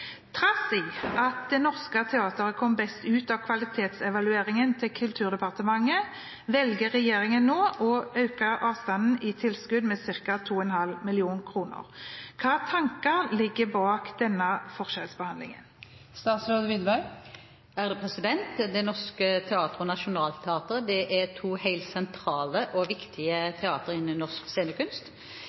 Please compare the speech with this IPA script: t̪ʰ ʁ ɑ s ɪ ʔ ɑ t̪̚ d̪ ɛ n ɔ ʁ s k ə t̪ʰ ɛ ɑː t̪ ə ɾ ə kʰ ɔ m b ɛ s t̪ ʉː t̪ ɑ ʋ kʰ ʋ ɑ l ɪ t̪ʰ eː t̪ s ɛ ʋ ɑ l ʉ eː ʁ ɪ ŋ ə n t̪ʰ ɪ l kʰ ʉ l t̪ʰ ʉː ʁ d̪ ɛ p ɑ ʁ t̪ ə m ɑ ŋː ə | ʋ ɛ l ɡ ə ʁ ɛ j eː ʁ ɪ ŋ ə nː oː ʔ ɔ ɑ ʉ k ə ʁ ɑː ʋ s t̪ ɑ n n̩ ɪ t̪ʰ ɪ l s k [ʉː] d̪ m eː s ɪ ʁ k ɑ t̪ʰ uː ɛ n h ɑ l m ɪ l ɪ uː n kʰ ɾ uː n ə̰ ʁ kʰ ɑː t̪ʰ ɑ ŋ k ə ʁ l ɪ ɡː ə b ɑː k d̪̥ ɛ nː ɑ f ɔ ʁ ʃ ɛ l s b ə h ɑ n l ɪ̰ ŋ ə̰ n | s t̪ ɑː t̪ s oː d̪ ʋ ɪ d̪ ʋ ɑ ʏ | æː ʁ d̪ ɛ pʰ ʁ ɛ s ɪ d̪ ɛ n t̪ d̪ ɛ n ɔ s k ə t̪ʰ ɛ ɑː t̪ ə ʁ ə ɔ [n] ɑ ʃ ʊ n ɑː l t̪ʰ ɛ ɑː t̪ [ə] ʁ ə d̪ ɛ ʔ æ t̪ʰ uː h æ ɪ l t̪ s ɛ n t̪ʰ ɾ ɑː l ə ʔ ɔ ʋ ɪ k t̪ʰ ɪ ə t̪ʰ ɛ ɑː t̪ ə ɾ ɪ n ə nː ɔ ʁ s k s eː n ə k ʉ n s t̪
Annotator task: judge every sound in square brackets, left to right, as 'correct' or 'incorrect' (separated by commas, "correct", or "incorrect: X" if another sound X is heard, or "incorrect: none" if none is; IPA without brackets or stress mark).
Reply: incorrect: ʉ, correct, correct